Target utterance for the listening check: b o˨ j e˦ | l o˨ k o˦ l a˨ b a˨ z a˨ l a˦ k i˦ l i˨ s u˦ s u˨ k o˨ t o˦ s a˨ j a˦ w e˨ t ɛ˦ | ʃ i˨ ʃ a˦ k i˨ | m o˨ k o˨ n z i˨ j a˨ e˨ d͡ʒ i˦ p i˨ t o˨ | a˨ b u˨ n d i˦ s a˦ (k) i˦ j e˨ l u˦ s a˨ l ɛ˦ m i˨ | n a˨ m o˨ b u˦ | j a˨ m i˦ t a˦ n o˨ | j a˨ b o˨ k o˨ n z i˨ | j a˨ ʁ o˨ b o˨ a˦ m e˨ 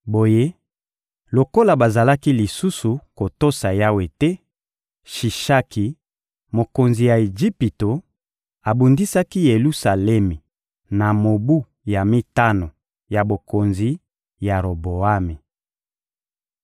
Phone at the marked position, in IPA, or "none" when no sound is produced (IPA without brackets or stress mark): k